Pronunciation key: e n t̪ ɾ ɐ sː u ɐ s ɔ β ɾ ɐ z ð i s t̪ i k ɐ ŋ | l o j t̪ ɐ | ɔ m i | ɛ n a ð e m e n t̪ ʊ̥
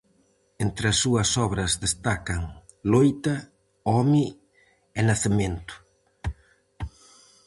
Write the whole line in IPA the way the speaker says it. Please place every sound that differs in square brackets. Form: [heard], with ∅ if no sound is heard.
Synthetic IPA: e n t̪ ɾ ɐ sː u ɐ s ɔ β ɾ ɐ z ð [e] s t̪ [a] k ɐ ŋ | l o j t̪ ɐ | ɔ m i | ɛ n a [θ] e m e n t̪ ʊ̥

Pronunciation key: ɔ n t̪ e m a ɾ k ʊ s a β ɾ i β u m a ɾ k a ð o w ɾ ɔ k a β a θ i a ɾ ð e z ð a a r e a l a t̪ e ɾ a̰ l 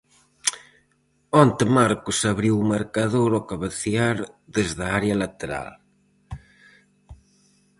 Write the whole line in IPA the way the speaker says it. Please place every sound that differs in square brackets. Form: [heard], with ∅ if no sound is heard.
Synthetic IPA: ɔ n t̪ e m a ɾ k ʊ s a β ɾ i [w] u m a ɾ k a ð o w ɾ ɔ k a β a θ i a ɾ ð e z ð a a [ɾ] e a l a t̪ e ɾ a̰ l

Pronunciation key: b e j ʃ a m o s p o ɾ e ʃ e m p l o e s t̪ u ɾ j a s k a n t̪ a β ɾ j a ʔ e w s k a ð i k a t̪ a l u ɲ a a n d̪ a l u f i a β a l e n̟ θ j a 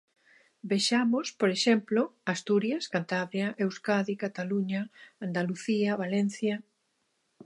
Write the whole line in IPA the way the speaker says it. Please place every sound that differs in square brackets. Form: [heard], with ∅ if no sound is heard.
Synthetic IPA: b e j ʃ a m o s p o ɾ e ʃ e m p l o [a] s t̪ u ɾ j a s k a n t̪ a β ɾ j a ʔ e w s k a ð i k a t̪ a l u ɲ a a n d̪ a l u [θ] i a β a l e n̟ θ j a

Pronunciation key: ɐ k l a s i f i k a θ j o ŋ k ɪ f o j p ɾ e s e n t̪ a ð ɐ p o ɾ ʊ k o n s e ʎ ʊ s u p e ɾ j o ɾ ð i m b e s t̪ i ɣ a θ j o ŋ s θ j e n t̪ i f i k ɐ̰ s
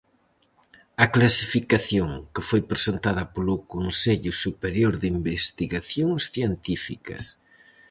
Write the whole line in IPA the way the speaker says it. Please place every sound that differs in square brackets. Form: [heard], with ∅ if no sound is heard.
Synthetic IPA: ɐ k l a s i f i k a θ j o ŋ k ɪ f o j p ɾ e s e n t̪ a ð ɐ p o [l] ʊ k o n s e ʎ ʊ s u p e ɾ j o ɾ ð i m b e s t̪ i ɣ a θ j o ŋ s θ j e n t̪ i f i k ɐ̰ s

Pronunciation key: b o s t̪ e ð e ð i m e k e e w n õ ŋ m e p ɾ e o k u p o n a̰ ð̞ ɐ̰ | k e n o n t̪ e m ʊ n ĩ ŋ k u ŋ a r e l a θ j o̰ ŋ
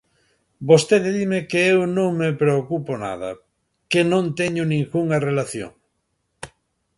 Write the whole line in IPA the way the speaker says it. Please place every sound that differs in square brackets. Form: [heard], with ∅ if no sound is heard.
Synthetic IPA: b o s t̪ e ð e ð i m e k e e w n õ ŋ m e p ɾ e o k u p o n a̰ ð̞ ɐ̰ | k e n [õ] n t̪ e [ɲ] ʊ n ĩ ŋ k u ŋ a r e l a θ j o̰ ŋ

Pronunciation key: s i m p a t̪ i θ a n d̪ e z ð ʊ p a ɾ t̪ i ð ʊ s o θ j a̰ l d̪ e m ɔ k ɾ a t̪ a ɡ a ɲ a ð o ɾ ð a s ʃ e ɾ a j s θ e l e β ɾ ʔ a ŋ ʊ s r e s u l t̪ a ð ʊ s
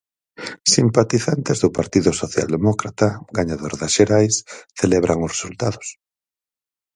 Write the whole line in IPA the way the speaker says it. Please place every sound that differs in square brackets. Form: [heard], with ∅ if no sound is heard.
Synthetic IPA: s i m p a t̪ i θ a n [t̪] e z ð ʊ p a ɾ t̪ i ð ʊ s o θ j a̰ l d̪ e m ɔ k ɾ a t̪ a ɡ a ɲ a ð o ɾ ð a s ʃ e ɾ a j s θ e l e β ɾ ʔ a ŋ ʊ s r e s u l t̪ a ð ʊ s

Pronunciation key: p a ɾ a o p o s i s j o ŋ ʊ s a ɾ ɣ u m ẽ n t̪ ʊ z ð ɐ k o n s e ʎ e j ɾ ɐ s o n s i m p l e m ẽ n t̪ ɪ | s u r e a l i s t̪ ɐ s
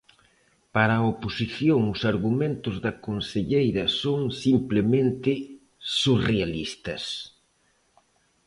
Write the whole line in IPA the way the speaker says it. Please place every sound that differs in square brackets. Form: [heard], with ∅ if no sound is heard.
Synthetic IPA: p a ɾ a o p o s i [θ] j o ŋ ʊ s a ɾ ɣ u m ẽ n t̪ ʊ z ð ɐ k o n s e ʎ e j ɾ ɐ s o [ŋ] s i m p l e m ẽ n t̪ ɪ | s u r e a l i s t̪ ɐ s

